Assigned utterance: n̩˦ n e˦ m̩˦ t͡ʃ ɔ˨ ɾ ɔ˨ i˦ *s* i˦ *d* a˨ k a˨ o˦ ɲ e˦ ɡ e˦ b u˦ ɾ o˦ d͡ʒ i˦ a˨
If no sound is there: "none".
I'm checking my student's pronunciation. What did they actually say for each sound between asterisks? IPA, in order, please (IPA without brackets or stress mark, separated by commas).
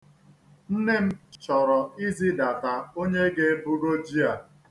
z, d